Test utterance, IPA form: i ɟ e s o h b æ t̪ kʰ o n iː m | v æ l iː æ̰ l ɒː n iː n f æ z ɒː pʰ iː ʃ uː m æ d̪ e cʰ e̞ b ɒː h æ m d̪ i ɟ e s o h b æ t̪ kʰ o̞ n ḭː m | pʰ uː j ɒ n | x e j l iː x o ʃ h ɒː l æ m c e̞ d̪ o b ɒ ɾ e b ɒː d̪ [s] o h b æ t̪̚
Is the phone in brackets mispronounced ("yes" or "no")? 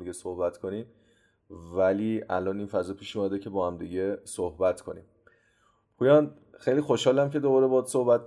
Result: no